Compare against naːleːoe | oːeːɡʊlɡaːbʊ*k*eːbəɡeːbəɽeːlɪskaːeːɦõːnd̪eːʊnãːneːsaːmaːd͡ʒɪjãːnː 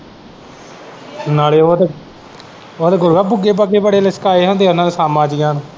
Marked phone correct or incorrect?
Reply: incorrect